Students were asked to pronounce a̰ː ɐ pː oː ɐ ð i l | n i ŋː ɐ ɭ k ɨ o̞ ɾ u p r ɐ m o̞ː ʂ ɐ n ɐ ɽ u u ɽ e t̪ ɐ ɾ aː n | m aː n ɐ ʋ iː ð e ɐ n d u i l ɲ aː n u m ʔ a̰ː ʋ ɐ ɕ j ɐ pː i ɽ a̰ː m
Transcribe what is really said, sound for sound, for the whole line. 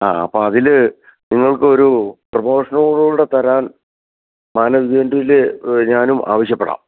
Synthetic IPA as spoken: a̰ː ɐ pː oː ɐ ð i l | n i ŋː ɐ ɭ k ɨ o̞ ɾ u p r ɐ m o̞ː ʂ ɐ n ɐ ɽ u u ɽ e t̪ ɐ ɾ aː n | m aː n ɐ ʋ i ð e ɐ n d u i l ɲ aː n u m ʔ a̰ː ʋ ɐ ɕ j ɐ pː e ɽ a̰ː m

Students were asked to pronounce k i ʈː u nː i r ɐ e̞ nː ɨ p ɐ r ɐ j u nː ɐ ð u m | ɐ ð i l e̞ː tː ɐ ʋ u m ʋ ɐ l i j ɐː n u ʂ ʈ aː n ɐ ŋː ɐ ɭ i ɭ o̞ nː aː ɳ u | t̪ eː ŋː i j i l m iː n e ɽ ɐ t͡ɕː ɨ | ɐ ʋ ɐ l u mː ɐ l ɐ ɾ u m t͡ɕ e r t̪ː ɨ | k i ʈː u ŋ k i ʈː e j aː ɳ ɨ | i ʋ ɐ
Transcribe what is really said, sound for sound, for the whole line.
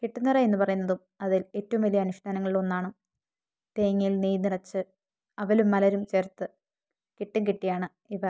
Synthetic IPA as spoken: k i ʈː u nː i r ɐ e̞ nː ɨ p ɐ r ɐ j u nː ɐ ð u m | ɐ ð i l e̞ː tː ɐ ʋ u m ʋ ɐ l i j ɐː n u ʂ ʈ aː n ɐ ŋː ɐ ɭ i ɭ o̞ nː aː ɳ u | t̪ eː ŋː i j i l n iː n i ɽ ɐ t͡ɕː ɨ | ɐ ʋ ɐ l u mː ɐ l ɐ ɾ u m t͡ɕ e r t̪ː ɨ | k i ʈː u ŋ k i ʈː i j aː ɳ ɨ | i ʋ ɐ

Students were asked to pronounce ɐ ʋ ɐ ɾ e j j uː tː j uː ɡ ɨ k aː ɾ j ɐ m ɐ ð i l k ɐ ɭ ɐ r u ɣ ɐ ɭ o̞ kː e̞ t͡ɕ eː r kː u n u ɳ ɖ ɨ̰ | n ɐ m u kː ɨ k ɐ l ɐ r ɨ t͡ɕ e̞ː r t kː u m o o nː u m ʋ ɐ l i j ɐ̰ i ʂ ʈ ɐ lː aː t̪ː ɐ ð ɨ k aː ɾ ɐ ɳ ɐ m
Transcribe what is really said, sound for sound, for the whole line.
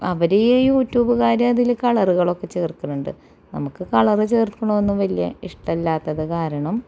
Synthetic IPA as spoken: ɐ ʋ ɐ ɾ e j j uː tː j uː b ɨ k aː ɾ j ɐ m ɐ ð i l k ɐ ɭ ɐ r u ɣ ɐ ɭ o̞ kː e̞ t͡ɕ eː r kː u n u ɳ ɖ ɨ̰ | n ɐ m u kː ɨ k ɐ ɭ ɐ r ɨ t͡ɕ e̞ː r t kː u ɳ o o nː u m ʋ ɐ l i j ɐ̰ i ʂ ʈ ɐ lː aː t̪ː ɐ ð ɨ k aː ɾ ɐ ɳ ɐ m

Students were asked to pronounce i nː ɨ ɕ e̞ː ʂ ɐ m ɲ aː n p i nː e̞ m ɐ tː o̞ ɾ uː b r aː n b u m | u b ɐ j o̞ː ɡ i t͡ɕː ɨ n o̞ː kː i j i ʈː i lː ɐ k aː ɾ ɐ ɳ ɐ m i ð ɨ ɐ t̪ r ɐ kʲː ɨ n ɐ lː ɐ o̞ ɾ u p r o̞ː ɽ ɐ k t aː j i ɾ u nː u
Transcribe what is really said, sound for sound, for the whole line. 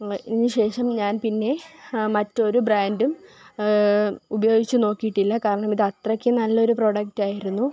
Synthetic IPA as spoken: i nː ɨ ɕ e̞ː ʂ ɐ m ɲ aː n p i nː e̞ m ɐ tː o̞ ɾ u b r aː n d u m | u b ɐ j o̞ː ɡ i t͡ɕː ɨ n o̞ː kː i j i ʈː i lː ɐ k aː ɾ ɐ ɳ ɐ m i ð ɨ ɐ t̪ r ɐ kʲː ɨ n ɐ lː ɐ o̞ ɾ u p r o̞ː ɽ ɐ k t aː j i ɾ u nː u

